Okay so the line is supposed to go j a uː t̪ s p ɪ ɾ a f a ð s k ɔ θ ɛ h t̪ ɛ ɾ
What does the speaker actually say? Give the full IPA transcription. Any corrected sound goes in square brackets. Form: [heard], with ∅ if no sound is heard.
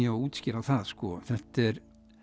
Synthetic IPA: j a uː t̪ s [c] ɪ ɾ a [θ] a ð s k ɔ θ ɛ h t̪ ɛ ɾ